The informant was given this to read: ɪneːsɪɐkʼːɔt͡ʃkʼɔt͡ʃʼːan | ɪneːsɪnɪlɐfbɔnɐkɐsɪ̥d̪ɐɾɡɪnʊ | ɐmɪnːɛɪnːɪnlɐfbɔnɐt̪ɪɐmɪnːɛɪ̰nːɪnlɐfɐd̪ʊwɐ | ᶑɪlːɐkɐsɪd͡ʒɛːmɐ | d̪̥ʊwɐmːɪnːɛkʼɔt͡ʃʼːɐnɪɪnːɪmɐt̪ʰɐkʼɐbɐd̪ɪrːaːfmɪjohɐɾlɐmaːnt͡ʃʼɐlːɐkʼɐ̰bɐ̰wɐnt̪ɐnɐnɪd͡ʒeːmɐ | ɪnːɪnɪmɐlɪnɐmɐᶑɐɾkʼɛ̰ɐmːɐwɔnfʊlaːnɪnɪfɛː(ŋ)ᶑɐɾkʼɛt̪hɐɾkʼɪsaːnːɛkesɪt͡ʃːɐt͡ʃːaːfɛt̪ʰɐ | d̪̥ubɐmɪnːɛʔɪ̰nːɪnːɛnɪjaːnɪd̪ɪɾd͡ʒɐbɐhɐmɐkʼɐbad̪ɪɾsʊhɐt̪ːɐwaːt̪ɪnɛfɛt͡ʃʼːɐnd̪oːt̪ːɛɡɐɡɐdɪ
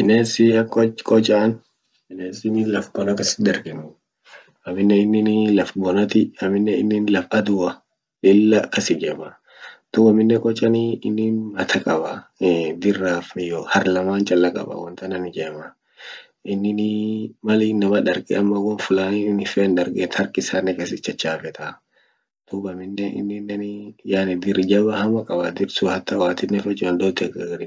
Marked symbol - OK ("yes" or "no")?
no